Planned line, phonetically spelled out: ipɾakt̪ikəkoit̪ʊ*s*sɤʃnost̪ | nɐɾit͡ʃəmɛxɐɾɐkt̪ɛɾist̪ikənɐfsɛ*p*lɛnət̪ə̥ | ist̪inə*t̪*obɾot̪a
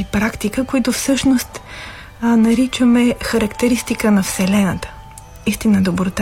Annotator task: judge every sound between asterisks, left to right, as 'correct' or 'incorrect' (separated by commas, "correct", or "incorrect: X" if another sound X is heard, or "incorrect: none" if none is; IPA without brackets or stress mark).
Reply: incorrect: f, incorrect: none, incorrect: d̪